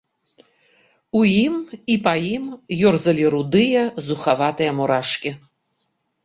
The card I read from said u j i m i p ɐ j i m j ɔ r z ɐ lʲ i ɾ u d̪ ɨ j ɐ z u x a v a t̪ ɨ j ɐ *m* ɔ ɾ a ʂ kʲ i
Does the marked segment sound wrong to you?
no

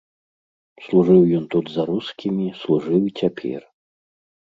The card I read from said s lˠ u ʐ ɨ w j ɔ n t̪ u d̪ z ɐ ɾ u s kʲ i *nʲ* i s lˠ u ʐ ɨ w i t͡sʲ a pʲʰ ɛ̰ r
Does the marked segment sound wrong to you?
yes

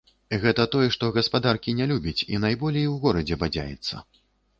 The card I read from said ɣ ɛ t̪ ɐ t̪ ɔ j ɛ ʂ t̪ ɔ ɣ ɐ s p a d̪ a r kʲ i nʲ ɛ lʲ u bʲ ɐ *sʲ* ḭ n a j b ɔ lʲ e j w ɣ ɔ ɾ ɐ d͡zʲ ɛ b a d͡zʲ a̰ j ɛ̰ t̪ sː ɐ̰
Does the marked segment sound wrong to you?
yes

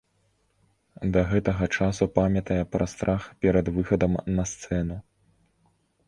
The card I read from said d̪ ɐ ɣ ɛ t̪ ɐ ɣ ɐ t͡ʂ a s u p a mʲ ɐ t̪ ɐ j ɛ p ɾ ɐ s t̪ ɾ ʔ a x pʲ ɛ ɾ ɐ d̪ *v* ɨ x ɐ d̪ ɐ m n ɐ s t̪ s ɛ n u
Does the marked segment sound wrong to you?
no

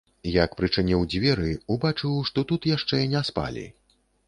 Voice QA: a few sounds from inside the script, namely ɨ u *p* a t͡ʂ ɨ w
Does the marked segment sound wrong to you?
yes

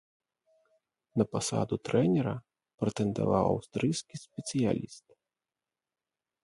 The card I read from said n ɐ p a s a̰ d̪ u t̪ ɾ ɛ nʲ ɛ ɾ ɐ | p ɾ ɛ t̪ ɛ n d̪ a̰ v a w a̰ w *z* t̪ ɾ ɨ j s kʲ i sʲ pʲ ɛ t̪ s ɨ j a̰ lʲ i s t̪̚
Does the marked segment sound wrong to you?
yes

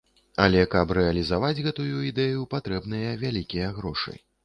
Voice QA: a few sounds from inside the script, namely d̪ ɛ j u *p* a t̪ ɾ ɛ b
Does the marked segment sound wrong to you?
no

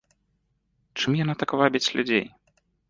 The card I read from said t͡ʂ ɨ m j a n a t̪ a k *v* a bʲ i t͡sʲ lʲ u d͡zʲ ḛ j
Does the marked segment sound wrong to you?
no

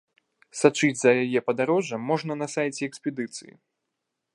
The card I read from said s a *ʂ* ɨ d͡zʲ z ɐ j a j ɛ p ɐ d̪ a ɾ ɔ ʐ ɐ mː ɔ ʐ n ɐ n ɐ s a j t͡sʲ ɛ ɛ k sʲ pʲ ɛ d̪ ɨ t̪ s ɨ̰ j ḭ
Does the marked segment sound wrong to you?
yes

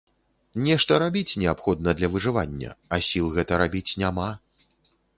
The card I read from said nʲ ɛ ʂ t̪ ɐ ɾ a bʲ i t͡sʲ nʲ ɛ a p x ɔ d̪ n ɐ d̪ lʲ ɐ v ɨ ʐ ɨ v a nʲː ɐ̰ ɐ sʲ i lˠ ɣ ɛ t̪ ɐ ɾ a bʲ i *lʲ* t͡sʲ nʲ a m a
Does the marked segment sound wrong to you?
yes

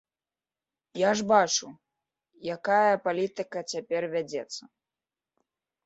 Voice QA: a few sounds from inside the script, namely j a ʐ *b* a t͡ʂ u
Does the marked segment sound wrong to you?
no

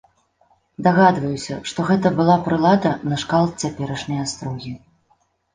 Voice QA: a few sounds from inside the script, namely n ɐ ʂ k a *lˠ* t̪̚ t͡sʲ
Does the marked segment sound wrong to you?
no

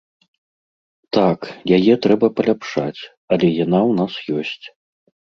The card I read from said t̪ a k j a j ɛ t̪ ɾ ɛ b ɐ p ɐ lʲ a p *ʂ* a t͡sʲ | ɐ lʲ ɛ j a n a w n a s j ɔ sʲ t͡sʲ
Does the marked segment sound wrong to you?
no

